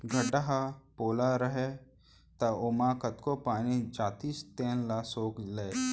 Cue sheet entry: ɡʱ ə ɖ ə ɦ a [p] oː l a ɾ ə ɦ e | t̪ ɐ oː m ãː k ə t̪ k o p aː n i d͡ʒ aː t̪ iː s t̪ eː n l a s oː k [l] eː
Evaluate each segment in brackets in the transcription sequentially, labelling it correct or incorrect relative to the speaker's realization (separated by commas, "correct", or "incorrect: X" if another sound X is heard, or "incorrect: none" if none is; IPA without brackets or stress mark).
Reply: correct, correct